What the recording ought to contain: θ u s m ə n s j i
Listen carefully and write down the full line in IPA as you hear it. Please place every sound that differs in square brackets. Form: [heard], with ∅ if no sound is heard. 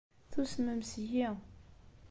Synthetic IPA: θ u s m ə [m] s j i